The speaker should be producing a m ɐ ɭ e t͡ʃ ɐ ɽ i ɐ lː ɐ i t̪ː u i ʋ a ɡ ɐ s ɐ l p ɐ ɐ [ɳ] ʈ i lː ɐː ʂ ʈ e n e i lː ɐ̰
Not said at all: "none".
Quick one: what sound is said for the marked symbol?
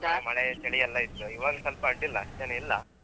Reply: ɳ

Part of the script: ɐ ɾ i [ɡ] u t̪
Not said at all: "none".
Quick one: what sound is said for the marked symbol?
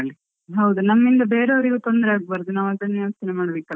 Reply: ɡ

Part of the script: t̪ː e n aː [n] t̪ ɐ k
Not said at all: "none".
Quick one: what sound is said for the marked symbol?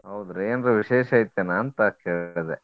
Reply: n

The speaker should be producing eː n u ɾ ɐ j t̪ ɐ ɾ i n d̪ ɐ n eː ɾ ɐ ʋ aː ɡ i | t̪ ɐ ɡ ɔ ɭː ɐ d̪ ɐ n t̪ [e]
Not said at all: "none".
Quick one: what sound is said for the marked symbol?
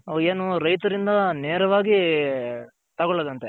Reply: e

